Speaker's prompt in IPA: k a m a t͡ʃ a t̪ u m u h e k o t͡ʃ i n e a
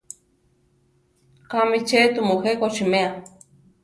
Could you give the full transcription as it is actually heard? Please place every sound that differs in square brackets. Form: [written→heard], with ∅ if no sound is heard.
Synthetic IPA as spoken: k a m [a→i] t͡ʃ [a→e] t̪ u m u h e k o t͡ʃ i [n→m] e a

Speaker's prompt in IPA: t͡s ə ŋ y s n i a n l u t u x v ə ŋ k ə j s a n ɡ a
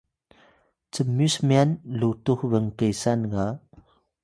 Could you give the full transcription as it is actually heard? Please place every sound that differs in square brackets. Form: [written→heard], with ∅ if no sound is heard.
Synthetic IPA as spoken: t͡s ə [ŋ→m] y s [n→m] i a n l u t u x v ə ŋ k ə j s a n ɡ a

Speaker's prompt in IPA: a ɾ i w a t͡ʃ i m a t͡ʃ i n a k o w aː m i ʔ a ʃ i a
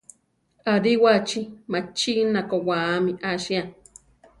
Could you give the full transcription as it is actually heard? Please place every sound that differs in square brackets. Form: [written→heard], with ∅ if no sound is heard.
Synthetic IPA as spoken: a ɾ i w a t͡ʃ i m a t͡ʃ i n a k o w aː m i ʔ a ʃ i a

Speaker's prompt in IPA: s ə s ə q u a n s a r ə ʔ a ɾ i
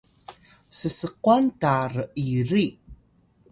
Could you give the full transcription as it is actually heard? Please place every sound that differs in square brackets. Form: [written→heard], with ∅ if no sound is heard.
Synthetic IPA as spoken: s ə s ə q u a n [s→t] a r ə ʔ [a→i] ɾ i

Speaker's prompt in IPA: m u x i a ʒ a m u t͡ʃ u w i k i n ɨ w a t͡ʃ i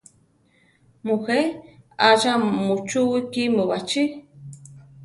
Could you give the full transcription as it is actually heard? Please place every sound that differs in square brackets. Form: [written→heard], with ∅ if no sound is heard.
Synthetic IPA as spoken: m u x [i→e] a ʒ a m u t͡ʃ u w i k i [n→m] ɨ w a t͡ʃ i

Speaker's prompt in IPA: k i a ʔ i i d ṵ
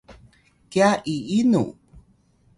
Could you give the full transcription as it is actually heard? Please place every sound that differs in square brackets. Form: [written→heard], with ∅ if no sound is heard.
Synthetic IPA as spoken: k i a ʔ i i [d→n] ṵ

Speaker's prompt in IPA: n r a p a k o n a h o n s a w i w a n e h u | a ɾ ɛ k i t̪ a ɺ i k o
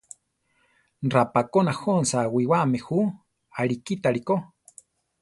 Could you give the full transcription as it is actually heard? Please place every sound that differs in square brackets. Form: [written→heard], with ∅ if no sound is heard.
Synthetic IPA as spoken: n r a p a k o n a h o n s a w i w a [n→m] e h u | a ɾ [ɛ→i] k i t̪ a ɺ i k o

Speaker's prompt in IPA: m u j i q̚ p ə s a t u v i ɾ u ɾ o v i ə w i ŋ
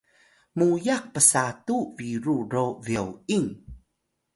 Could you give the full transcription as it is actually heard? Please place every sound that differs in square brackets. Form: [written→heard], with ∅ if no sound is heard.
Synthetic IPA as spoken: m u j [i→a] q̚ p ə s a t u v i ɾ u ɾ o v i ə w i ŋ

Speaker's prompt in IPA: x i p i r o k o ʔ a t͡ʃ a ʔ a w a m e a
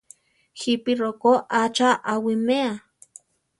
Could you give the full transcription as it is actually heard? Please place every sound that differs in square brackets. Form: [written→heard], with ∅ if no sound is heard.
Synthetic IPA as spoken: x i p i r o k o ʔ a t͡ʃ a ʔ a w [a→i] m e a

